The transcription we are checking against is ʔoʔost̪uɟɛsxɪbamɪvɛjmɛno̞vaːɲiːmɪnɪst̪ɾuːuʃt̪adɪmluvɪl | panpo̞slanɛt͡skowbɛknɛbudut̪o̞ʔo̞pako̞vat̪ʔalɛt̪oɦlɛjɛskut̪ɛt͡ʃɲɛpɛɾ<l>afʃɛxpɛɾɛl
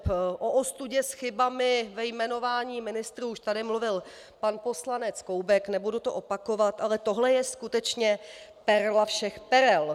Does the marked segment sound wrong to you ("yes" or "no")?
no